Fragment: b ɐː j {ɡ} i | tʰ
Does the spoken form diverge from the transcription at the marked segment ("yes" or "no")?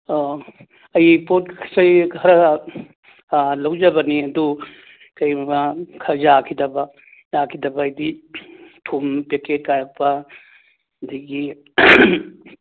yes